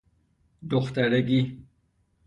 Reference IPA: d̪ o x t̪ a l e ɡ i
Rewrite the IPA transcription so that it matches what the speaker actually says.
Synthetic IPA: d̪ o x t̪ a ɾ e ɡ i